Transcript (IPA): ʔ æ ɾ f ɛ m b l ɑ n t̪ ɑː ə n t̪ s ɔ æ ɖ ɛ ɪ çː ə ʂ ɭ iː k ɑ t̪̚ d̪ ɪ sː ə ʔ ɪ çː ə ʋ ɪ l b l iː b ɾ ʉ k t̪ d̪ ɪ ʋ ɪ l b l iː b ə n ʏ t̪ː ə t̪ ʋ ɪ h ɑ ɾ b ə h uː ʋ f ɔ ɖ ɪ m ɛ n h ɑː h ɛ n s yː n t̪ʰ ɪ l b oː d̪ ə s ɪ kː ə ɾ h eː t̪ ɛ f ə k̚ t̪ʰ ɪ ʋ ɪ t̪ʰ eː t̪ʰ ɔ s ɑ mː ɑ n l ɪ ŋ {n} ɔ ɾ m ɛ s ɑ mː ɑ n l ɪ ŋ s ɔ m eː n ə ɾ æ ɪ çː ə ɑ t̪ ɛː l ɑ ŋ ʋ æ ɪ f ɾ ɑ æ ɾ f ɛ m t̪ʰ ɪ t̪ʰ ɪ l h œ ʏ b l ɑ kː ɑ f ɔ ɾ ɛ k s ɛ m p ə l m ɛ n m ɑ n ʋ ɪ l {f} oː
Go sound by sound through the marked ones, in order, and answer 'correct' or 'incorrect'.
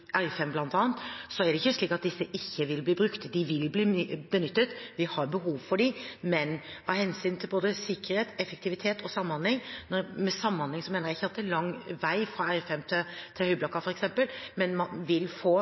correct, correct

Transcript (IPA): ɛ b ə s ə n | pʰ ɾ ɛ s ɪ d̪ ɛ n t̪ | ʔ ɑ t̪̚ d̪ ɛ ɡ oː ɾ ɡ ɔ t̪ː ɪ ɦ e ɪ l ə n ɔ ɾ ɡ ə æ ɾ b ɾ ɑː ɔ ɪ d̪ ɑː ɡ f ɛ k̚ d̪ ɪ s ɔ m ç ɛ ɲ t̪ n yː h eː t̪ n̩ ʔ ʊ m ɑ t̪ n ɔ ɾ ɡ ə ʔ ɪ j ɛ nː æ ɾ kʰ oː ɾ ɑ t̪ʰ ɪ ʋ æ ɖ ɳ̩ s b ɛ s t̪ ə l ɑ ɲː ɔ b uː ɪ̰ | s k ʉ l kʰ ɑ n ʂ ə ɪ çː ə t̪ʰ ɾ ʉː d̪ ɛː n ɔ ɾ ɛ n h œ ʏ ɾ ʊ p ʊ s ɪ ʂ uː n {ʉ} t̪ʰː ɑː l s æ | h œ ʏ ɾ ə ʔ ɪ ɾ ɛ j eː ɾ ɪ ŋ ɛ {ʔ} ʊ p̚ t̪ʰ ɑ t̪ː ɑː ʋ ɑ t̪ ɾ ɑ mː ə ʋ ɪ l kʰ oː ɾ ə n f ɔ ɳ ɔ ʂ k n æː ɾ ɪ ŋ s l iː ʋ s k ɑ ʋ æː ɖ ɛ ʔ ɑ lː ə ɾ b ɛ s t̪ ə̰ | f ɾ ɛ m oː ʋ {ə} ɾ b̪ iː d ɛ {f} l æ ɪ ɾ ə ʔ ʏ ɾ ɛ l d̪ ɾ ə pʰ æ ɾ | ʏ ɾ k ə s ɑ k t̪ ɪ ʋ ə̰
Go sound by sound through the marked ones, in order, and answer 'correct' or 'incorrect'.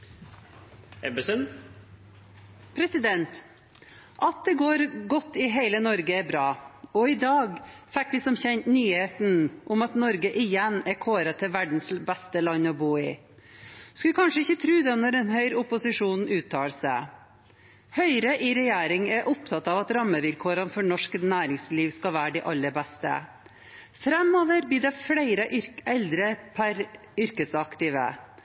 incorrect, correct, correct, correct

